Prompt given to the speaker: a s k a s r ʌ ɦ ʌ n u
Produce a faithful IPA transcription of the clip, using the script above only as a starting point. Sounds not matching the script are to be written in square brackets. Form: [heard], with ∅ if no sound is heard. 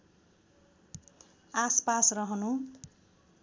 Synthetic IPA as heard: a s [p] a s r ʌ ɦ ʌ n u